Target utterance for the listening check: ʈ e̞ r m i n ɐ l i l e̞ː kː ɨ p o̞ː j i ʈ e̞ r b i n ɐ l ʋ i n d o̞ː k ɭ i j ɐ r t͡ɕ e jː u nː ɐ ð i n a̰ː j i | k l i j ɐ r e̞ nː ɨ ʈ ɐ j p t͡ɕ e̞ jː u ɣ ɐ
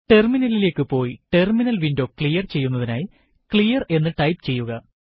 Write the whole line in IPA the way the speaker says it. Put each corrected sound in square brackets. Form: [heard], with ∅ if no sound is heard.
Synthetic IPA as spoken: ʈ e̞ r m i n ɐ l i l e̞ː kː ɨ p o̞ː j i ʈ e̞ r [m] i n ɐ l ʋ i n d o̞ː k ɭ i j ɐ r t͡ɕ e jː u nː ɐ ð i n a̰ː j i | k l i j ɐ r e̞ nː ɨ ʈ ɐ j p t͡ɕ e̞ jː u ɣ ɐ